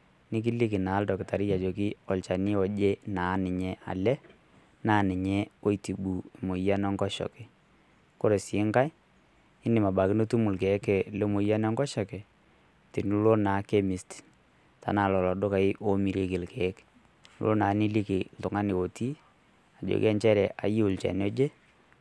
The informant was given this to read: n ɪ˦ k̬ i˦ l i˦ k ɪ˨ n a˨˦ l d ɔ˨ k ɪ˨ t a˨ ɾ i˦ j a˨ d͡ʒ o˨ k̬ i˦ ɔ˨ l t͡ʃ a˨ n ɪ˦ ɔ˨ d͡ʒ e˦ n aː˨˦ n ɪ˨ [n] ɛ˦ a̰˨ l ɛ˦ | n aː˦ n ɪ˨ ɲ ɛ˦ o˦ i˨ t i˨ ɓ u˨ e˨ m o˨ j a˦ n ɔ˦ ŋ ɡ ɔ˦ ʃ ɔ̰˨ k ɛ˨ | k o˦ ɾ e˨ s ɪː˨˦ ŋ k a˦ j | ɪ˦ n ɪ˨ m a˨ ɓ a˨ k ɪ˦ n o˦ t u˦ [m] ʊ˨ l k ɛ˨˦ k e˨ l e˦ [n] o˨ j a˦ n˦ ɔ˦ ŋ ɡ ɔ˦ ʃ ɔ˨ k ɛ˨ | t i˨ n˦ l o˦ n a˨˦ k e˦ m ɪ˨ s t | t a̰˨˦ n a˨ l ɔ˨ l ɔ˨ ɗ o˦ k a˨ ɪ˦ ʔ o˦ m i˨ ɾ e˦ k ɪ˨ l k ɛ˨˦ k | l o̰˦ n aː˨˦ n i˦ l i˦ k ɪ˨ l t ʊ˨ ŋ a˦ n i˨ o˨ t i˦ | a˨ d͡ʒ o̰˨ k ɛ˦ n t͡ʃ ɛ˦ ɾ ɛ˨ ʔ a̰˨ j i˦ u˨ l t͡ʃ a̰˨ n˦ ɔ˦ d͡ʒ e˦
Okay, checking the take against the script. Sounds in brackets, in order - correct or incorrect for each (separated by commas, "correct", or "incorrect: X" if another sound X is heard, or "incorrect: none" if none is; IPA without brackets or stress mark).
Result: incorrect: ɲ, correct, incorrect: m